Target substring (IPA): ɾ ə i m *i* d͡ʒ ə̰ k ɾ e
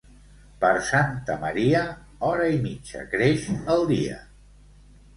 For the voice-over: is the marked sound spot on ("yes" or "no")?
yes